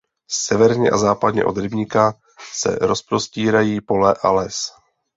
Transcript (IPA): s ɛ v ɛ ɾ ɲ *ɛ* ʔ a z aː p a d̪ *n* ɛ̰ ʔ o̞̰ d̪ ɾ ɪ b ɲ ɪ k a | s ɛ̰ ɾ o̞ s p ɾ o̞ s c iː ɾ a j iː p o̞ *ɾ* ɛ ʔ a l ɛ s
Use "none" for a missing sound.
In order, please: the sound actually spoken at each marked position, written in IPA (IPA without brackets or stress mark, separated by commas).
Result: ɛ, ɲ, l